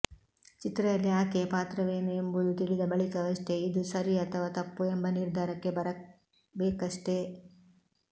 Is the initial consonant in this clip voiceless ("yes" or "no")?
yes